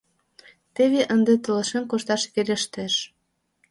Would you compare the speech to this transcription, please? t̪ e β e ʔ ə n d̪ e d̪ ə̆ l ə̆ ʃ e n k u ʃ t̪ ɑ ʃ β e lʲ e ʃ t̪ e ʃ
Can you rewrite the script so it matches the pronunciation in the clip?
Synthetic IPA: t̪ e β e ʔ ə n d̪ e t̪ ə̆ l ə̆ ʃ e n k o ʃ t̪ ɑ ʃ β e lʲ e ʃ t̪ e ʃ

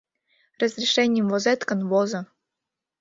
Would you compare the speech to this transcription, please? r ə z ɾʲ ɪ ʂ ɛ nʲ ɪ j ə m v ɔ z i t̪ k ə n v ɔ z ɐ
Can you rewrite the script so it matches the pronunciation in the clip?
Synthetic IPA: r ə z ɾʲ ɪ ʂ ɛ nʲ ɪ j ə m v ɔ z ɛ t̪ k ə n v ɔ z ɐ

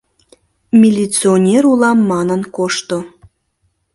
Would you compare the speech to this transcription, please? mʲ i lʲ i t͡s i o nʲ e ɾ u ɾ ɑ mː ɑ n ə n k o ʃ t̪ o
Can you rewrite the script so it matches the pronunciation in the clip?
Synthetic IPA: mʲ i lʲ i t͡s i o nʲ e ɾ u l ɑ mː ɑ n ə n k o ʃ t̪ o

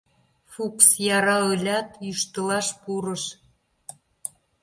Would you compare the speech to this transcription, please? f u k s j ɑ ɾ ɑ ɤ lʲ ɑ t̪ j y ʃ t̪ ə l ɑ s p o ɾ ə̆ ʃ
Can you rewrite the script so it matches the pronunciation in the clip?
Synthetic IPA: f u k s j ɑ ɾ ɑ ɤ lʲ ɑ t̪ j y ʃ t̪ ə l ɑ ʃ p u ɾ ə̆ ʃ

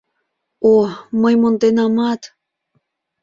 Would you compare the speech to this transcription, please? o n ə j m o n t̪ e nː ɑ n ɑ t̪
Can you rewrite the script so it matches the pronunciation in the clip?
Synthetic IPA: o m ə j m o n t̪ e n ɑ m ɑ t̪

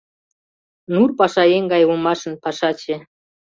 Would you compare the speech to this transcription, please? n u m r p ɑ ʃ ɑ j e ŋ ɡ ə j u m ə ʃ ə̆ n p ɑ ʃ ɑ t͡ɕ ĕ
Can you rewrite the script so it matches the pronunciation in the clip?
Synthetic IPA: n u r p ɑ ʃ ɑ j e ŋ ɡ ɑ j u m ɑ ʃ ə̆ n p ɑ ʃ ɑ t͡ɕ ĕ

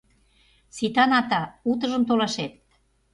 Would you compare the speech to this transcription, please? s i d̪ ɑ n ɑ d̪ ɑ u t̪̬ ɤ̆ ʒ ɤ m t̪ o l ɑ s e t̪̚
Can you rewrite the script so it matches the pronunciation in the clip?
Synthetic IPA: s i t̪ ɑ n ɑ t̪ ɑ u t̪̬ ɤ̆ ʒ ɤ m t̪ o l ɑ ʃ e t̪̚

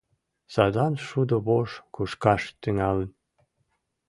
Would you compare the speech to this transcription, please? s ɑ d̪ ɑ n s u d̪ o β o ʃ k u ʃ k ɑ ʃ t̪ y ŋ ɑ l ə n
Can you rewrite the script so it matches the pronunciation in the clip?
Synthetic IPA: s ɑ d̪ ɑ n ʃ u d̪ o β o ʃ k u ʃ k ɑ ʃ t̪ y ŋ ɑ l ə n

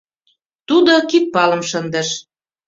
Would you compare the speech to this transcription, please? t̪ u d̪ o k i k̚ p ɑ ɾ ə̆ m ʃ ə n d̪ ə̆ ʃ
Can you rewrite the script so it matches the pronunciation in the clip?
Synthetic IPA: t̪ u d̪ o k i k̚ p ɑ l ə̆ m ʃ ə n d̪ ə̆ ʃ

